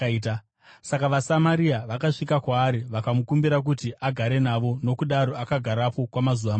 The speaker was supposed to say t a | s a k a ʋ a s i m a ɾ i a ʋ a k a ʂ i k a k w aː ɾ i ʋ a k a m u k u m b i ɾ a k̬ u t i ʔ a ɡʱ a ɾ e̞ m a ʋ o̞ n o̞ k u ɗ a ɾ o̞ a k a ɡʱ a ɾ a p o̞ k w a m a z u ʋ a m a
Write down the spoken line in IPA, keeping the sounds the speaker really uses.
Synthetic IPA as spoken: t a | s a k a ʋ a s a m a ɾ i a ʋ a k a ʂ i k a k w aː ɾ i ʋ a k a m u k u m b i ɾ a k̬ u t i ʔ a ɡʱ a ɾ e̞ n a ʋ o̞ n o̞ k u ɗ a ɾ o̞ a k a ɡʱ a ɾ a p o̞ k w a m a z u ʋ a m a